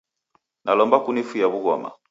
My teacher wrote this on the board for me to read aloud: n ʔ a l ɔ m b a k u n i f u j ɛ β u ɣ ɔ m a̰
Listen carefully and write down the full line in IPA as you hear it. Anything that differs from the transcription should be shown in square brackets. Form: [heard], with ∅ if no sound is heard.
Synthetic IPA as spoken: n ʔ a l ɔ m b a k u n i f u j [a] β u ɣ ɔ m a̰